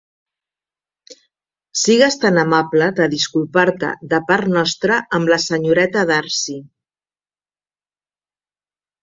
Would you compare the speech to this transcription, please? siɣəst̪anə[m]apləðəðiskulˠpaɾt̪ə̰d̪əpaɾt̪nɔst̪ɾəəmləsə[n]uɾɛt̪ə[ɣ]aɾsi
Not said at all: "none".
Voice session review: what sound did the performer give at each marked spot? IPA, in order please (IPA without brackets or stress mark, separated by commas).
m, ɲ, ð